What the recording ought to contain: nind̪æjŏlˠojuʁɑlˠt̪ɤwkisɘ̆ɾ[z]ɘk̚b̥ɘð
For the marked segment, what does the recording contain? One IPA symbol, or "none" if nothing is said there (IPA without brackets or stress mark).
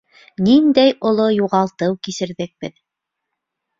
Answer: ð